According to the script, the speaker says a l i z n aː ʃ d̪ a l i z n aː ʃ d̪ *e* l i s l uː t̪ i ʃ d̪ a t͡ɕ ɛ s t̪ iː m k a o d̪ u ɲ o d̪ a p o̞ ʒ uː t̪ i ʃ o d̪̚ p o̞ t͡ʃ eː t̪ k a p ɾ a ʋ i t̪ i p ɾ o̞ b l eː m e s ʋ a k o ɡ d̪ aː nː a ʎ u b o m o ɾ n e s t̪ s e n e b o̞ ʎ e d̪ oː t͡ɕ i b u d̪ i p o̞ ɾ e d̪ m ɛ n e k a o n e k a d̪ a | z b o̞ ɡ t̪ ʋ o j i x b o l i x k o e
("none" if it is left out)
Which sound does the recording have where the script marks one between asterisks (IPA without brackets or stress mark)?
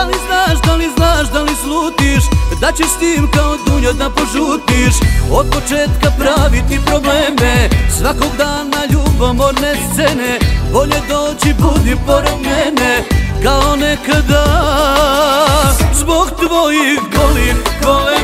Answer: a